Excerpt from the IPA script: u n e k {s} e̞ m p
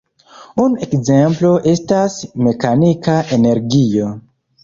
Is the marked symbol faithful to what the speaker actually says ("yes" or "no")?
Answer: no